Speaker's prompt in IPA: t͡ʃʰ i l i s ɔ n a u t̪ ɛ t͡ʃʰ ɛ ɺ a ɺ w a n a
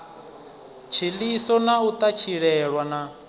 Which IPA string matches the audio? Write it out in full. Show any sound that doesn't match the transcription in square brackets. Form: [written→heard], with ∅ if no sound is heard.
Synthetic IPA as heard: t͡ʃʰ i l i s ɔ n a u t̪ [ɛ→a] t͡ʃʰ [ɛ→i] ɺ [a→ɛ] ɺ w a n a